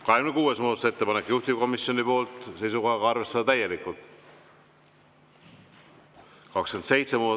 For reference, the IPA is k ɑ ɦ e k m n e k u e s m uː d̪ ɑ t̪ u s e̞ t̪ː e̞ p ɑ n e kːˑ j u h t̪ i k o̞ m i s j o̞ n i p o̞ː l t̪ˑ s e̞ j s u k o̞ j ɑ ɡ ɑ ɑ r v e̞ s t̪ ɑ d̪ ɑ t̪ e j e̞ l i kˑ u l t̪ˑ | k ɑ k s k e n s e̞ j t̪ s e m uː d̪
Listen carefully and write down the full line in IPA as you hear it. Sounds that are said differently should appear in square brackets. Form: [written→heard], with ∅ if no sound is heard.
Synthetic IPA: k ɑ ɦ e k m n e k [u→uː] e s m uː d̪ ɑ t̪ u s e̞ t̪ː e̞ p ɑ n e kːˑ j u h t̪ i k o̞ m i s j o̞ n i p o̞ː l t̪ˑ s e̞ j s u k o̞ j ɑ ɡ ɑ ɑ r v e̞ s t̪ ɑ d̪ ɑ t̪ [e→æ] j e̞ l i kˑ u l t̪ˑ | k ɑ k s k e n s e̞ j t̪ s e m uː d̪